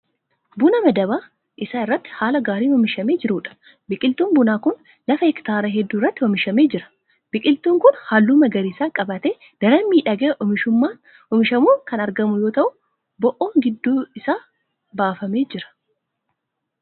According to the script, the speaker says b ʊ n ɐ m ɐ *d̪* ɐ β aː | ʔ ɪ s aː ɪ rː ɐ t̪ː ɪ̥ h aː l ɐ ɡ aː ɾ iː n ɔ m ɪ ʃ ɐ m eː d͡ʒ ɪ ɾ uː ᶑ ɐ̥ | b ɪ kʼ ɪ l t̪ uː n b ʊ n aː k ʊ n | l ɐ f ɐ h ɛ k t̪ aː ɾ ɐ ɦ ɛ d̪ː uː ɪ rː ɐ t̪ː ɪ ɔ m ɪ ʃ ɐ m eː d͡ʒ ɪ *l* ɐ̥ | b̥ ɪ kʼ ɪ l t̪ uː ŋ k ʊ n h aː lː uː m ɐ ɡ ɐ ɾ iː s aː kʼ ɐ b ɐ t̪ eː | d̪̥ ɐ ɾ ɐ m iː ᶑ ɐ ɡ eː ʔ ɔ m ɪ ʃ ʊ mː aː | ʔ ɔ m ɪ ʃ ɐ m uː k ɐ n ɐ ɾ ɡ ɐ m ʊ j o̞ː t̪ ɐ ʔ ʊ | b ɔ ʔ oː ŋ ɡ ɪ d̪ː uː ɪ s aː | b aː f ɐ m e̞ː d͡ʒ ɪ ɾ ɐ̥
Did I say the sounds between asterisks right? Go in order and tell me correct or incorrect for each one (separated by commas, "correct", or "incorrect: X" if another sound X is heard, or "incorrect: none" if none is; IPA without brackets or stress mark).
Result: correct, incorrect: ɾ